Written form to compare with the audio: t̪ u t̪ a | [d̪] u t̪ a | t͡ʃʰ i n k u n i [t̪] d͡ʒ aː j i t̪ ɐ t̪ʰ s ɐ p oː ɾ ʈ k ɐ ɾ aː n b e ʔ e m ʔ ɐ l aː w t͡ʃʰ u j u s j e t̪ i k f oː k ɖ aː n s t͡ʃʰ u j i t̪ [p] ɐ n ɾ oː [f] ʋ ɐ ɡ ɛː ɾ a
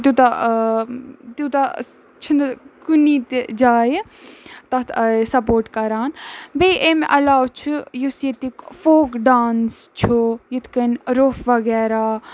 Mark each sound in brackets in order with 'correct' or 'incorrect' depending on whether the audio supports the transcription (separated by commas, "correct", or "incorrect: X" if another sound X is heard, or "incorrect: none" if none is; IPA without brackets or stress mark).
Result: incorrect: t̪, correct, incorrect: k, correct